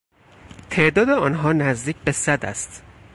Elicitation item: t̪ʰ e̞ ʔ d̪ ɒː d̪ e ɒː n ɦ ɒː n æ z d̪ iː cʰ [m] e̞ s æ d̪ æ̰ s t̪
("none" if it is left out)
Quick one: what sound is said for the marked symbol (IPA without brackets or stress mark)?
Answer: b